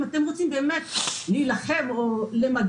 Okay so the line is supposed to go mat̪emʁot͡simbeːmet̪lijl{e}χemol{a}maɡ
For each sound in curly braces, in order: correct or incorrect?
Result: incorrect: a, incorrect: e

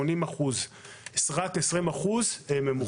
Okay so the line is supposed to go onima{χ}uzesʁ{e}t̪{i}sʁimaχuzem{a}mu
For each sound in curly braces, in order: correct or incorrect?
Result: correct, incorrect: a, incorrect: e, incorrect: e

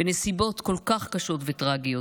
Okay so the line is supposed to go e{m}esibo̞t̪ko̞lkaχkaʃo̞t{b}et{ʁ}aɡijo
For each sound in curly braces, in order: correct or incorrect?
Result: incorrect: n, incorrect: v, correct

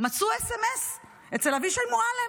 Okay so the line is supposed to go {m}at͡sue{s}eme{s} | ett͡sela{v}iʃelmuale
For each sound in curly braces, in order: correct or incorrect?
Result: correct, correct, correct, correct

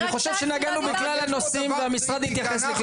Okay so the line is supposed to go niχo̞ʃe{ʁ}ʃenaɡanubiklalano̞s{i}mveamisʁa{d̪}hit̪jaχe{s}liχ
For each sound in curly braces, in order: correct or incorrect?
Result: incorrect: v, correct, correct, correct

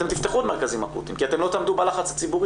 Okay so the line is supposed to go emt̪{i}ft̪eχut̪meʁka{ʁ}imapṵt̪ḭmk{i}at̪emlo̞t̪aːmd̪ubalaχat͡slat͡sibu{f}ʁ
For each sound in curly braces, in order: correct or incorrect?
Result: correct, incorrect: z, correct, incorrect: none

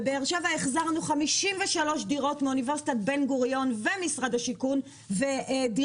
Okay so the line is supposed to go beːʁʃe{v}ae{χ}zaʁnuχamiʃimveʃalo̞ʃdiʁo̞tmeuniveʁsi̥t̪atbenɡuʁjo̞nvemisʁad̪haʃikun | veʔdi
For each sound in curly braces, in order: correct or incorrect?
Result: correct, correct

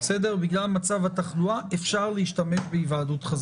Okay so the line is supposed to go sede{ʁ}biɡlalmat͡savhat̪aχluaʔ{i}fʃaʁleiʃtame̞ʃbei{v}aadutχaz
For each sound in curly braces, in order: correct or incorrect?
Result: correct, incorrect: e, correct

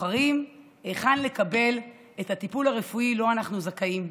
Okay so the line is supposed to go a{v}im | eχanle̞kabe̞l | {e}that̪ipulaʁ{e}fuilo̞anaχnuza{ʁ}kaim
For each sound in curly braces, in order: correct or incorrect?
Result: incorrect: ʁ, correct, correct, incorrect: none

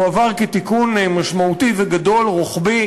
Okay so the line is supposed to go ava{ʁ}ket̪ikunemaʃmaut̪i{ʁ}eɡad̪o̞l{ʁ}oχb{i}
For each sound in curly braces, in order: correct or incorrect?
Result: correct, incorrect: v, correct, correct

